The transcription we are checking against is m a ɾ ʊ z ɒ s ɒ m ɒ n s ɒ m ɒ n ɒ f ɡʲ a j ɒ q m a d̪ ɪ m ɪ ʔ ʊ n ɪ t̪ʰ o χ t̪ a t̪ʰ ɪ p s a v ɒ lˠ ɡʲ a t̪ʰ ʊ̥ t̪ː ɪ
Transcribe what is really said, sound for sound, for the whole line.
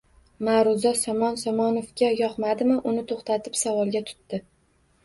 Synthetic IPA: m a ɾ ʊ z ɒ s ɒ m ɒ n s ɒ m ɒ n o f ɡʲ a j ɒ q m a d̪ ɪ m ɪ ʔ ʊ n ɪ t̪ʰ o χ t̪ a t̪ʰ ɪ p s a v ɒ lˠ ɡʲ a t̪ʰ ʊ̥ t̪ː ɪ

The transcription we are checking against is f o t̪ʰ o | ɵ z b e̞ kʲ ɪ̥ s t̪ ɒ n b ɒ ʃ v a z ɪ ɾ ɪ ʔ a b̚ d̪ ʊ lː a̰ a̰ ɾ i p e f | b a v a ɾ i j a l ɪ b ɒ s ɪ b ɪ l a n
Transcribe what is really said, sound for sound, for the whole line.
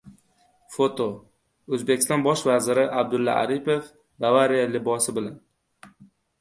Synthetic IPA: f o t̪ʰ o | ɵ z b e̞ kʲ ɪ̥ s t̪ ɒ n b ɒ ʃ v a z ɪ ɾ ɪ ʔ a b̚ d̪ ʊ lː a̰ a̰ ɾ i p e f | b a v a ɾ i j a l ɪ b ɒ s ɪ b ɪ l a n

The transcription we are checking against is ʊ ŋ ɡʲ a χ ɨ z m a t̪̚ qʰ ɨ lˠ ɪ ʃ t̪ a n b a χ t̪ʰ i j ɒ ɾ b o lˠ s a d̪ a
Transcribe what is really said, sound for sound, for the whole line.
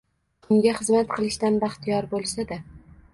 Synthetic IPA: ʊ ŋ ɡʲ a χ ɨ z m a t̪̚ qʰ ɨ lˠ ɪ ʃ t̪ a n b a χ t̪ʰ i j ɒ ɾ b o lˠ s a d̪ a

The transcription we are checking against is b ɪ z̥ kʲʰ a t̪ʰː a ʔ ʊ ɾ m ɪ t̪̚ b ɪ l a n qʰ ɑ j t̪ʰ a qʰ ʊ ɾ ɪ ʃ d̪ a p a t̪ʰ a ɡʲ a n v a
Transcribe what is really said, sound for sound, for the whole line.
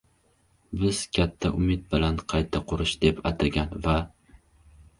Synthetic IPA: b ɪ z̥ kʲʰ a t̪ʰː a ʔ ʊ m ɪ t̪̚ b ɪ l a n qʰ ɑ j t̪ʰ a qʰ ʊ ɾ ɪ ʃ d̪ e p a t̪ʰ a ɡʲ a n v a

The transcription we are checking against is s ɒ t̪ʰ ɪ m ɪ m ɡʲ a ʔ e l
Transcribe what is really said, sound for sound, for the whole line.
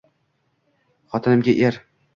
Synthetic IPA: χ ɒ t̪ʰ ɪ n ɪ m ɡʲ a ʔ e ɾ

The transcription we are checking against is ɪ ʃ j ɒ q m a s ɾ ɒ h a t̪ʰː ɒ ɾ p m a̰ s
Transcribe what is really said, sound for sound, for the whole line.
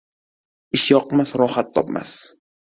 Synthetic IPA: ɪ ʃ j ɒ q m a s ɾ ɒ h a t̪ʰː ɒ p m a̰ s

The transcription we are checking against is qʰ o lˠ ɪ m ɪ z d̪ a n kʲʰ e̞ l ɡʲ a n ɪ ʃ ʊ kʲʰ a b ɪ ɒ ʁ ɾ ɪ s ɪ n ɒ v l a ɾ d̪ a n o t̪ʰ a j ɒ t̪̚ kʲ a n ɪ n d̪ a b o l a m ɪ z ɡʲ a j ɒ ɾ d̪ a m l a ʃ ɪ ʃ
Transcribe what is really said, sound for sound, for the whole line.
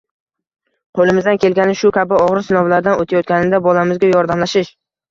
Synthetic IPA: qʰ o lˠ ɪ m ɪ z d̪ a n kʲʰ e̞ l ɡʲ a n ɪ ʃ ʊ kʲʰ a b ɪ ɒ ʁ ɾ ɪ s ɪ n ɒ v l a ɾ d̪ a n o t̪ʰ a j ɒ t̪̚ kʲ a n ɪ n d̪ a b ɒ l a m ɪ z ɡʲ a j ɒ ɾ d̪ a m l a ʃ ɪ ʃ

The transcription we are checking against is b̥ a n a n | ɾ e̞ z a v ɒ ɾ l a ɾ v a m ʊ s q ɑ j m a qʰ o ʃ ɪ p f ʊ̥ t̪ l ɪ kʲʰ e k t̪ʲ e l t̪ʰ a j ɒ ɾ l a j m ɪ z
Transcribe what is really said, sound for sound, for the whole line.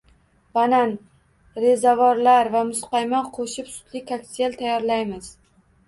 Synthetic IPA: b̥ a n a n | ɾ e̞ z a v ɒ ɾ l a ɾ v a m ʊ s q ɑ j m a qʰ o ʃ ɪ p s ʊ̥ t̪ l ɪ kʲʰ a k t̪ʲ e l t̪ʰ a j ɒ ɾ l a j m ɪ z

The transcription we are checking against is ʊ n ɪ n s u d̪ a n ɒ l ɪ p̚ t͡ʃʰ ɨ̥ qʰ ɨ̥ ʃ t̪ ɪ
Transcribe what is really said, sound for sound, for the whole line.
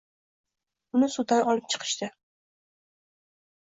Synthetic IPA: ʊ n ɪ s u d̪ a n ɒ l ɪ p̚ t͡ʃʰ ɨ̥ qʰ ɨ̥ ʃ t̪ ɪ

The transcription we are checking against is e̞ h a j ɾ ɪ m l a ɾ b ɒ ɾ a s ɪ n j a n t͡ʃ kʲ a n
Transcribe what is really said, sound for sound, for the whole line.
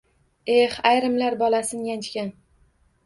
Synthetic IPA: e̞ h a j ɾ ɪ m l a ɾ b ɒ l a s ɪ n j a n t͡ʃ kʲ a n

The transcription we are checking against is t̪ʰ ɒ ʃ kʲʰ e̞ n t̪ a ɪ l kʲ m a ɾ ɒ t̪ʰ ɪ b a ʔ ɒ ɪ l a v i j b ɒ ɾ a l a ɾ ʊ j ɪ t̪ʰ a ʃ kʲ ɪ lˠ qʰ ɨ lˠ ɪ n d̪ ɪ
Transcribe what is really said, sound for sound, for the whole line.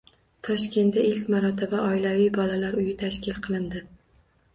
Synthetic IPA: t̪ʰ ɒ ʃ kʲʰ e̞ n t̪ a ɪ l kʲ m a ɾ ɒ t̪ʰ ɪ b a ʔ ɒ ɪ l a v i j b ɒ l a l a ɾ ʊ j ɪ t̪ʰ a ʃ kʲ ɪ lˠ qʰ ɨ lˠ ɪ n d̪ ɪ

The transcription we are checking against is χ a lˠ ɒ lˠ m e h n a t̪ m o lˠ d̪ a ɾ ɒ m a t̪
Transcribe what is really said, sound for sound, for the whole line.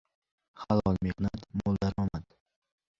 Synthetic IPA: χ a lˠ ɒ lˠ m e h n a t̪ m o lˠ d̪ a ɾ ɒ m a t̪

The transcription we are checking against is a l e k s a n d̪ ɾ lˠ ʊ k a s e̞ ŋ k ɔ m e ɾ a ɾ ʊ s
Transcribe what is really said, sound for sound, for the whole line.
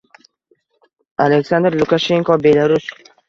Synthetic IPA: a l e k s a n d̪ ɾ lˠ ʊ k a ʃ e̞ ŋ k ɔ b e l a ɾ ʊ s

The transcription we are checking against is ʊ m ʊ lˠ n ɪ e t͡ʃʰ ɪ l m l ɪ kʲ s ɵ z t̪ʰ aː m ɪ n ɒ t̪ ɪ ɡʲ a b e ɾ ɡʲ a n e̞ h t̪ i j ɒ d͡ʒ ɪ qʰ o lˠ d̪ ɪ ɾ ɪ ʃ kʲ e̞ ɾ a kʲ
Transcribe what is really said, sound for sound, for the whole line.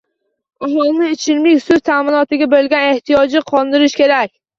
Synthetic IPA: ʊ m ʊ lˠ n ɪ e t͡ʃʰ ɪ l m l ɪ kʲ s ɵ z t̪ʰ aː m ɪ n ɒ t̪ ɪ ɡʲ a b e l ɡʲ a n e̞ h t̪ i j ɒ d͡ʒ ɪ qʰ ɒ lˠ d̪ ɪ ɾ ɪ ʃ kʲ e̞ ɾ a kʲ

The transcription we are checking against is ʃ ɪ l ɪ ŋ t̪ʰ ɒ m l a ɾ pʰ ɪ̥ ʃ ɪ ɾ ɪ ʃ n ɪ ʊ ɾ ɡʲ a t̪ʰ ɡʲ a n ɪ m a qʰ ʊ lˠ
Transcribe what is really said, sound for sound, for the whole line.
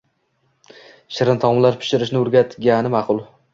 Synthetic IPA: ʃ ɪ ɾ ɪ n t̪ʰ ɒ m l a ɾ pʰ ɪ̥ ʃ ɪ ɾ ɪ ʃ n ɪ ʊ ɾ ɡʲ a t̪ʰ ɡʲ a n ɪ m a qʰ ʊ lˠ

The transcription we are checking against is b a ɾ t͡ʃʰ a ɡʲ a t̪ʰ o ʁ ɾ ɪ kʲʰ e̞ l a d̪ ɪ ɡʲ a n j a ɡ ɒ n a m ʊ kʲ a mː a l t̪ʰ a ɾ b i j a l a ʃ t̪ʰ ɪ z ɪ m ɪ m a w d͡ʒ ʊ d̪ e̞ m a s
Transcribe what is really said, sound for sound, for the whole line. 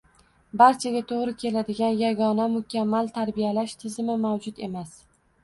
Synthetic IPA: b a ɾ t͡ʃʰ a ɡʲ a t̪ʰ o ʁ ɾ ɪ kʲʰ e̞ l a d̪ ɪ ɡʲ a n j a ɡ ɒ n a m ʊ kʲ a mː a l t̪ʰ a ɾ b i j a l a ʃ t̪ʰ ɪ z ɪ m ɪ m a w d͡ʒ ʊ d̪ e̞ m a s

